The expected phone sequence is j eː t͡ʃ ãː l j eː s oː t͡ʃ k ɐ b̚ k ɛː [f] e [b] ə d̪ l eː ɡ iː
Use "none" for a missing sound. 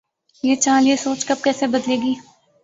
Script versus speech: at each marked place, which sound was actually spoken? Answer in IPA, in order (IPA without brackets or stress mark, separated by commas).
s, b